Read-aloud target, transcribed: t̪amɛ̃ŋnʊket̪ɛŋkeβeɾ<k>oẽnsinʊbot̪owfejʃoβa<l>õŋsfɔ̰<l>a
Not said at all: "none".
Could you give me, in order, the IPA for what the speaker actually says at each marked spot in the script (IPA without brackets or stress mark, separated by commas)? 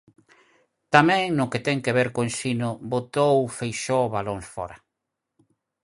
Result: k, l, ɾ